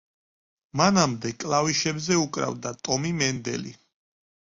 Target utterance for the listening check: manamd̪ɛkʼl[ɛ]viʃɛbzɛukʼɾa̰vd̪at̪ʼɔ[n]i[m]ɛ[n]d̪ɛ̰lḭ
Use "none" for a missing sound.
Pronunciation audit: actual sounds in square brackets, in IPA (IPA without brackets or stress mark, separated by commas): a, m, m, n